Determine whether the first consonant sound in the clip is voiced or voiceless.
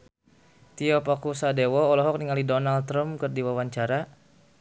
voiceless